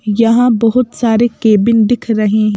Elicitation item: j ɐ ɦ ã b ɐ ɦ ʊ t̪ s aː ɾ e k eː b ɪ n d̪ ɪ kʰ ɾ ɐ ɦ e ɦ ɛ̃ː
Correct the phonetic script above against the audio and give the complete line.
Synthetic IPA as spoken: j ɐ ɦ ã b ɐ ɦ ʊ t̪ s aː ɾ e k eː b ɪ n d̪ ɪ kʰ ɾ ɐ ɦ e ɦ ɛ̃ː